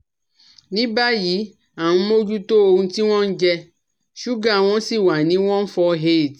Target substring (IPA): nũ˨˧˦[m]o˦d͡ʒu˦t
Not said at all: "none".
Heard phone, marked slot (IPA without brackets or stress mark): m